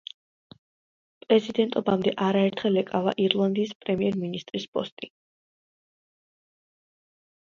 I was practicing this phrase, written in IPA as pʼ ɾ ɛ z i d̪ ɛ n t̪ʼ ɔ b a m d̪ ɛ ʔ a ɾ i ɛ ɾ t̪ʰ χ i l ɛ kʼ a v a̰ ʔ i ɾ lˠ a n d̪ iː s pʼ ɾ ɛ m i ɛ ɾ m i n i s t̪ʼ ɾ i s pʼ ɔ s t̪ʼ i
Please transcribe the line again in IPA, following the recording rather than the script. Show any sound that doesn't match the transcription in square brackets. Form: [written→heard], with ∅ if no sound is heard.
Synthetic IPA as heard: pʼ ɾ ɛ z i d̪ ɛ n t̪ʼ ɔ b a m d̪ ɛ ʔ a ɾ [i→a] ɛ ɾ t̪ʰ χ [i→ɛ] l ɛ kʼ a v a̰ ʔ i ɾ lˠ a n d̪ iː s pʼ ɾ ɛ m i ɛ ɾ m i n i s t̪ʼ ɾ i s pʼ ɔ s t̪ʼ i